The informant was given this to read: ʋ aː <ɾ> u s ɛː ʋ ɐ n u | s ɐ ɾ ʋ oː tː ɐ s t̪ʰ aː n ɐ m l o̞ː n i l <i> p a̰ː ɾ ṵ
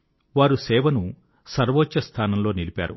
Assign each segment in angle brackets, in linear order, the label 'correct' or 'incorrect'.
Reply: correct, correct

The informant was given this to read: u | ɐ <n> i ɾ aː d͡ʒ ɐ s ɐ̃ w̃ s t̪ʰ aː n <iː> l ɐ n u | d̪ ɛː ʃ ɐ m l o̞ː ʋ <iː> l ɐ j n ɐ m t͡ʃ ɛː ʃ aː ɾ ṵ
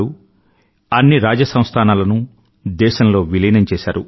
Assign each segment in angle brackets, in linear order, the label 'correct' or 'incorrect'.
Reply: incorrect: nː, incorrect: aː, incorrect: i

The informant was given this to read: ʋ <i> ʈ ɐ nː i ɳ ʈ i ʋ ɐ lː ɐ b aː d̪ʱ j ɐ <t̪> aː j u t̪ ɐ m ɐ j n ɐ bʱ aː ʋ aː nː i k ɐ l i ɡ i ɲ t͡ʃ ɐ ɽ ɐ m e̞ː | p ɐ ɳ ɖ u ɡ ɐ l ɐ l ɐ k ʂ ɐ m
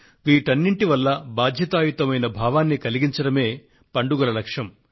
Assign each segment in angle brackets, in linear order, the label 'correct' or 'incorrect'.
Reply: incorrect: iː, correct

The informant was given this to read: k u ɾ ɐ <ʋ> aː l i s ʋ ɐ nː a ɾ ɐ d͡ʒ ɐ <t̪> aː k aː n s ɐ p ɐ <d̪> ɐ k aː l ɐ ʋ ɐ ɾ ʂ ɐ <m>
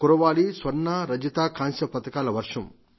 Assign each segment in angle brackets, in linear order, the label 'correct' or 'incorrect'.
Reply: correct, correct, incorrect: t̪, correct

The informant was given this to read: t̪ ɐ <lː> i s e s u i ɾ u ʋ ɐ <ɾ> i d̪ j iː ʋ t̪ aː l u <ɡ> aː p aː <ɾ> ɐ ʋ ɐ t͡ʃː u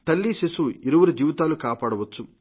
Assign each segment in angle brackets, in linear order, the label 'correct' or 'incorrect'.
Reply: correct, correct, incorrect: k, incorrect: ɽ

